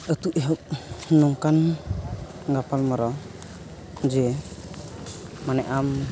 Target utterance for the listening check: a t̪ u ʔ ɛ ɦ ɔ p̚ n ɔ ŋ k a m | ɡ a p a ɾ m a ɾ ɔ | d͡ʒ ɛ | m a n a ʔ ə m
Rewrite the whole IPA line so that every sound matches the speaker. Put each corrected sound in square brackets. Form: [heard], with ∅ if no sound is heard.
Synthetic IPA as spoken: [ə] t̪ u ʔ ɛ ɦ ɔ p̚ n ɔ ŋ k a [n] | ɡ a p a [l] m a ɾ ɔ | d͡ʒ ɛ | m a n [ɛ] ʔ [a] m